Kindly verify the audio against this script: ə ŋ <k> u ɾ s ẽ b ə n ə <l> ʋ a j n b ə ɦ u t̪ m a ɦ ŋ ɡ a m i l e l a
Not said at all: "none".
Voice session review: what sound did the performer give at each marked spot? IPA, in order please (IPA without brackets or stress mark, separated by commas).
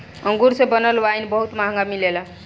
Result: ɡ, l